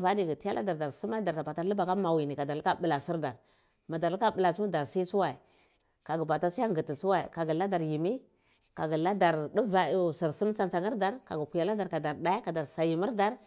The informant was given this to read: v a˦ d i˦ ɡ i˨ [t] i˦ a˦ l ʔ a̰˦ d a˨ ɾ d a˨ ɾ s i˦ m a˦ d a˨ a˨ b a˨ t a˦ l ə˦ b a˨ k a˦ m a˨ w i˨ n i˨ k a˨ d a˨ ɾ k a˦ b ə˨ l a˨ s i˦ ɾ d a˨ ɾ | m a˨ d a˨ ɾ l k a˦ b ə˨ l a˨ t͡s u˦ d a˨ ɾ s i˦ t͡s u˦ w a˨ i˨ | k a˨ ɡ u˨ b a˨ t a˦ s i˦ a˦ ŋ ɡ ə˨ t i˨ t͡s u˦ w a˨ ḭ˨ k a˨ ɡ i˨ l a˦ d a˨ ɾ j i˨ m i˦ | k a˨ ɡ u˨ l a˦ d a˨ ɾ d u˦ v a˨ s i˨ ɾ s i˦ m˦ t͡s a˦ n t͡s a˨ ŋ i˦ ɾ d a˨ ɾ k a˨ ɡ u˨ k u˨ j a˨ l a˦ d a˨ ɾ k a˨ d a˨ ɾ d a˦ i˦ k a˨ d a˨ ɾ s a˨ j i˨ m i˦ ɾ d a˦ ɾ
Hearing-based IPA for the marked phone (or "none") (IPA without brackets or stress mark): t